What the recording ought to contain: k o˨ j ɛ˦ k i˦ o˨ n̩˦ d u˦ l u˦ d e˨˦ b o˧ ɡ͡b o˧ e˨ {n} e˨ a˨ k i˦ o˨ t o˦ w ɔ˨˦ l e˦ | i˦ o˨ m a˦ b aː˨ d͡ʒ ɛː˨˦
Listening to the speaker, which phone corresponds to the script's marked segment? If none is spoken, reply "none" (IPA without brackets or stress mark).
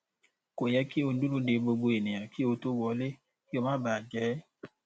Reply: n